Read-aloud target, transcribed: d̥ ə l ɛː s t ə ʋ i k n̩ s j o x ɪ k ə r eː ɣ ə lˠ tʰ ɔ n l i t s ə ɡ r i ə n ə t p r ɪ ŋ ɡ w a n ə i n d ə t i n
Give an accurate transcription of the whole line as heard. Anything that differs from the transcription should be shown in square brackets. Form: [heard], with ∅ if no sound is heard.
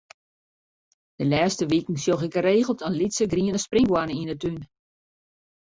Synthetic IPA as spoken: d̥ ə l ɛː s t ə ʋ i k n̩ s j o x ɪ k ə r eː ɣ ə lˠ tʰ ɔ n l i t s ə ɡ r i ə n ə [s] p r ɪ ŋ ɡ w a n ə i n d ə t [y] n